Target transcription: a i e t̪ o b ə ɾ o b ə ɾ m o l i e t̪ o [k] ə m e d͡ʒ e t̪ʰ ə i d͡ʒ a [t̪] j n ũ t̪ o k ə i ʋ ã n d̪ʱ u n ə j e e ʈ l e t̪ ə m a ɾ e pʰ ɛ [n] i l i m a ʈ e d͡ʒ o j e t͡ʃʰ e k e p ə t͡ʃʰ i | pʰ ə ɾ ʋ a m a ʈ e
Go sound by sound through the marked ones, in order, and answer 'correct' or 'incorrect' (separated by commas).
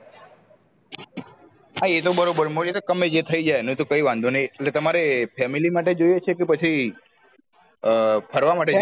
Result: correct, incorrect, incorrect